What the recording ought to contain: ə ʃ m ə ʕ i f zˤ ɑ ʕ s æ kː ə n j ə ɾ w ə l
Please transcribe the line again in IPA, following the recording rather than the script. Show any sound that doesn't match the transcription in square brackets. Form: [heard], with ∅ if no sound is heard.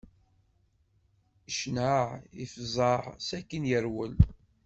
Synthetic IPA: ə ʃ [n] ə ʕ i f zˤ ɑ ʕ s æ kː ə n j ə ɾ w ə l